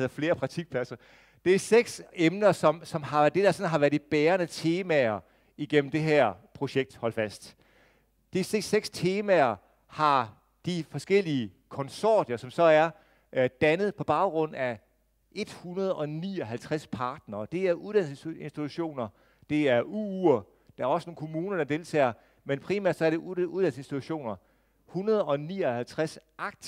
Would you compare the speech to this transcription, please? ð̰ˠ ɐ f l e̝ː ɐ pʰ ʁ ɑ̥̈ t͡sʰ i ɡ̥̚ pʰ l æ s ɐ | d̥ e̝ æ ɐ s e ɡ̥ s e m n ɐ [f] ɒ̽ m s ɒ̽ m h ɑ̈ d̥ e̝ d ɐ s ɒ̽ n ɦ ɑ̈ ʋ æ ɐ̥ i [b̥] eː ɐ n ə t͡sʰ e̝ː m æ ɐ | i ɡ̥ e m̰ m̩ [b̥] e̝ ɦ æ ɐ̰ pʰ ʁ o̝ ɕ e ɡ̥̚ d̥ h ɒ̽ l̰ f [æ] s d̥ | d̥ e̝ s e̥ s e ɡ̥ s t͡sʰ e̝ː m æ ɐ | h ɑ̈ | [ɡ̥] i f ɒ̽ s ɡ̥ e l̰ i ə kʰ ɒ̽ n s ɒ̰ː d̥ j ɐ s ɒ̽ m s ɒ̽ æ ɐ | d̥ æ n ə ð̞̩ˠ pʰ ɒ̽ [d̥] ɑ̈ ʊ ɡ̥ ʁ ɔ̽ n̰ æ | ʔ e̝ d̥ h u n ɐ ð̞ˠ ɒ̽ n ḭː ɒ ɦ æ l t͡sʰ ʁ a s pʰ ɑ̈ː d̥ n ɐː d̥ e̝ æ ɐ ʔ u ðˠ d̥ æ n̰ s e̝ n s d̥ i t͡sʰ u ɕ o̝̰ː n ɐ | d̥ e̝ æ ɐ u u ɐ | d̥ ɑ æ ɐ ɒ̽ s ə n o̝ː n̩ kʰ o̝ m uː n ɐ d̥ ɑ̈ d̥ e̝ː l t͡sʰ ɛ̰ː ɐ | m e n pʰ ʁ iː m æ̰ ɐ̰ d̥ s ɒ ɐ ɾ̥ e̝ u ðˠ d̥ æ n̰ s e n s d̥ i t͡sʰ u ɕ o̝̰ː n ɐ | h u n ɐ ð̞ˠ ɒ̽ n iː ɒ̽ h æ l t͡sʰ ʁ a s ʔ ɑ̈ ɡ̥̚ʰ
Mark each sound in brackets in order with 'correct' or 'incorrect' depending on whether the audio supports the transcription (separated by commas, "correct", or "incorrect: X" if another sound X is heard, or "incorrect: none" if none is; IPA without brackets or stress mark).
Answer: incorrect: s, correct, incorrect: d̥, correct, incorrect: d̥, incorrect: b̥